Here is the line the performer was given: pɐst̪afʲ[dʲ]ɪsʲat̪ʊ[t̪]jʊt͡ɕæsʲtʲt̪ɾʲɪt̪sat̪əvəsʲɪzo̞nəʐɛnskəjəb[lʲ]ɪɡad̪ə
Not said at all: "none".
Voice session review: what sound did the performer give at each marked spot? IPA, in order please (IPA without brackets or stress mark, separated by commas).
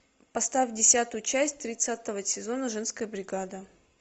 dʲ, none, ɾʲ